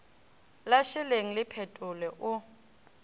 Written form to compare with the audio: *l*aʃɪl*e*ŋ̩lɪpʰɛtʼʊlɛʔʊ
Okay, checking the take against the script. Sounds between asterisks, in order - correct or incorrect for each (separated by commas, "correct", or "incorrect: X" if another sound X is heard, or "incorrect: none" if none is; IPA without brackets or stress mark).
correct, correct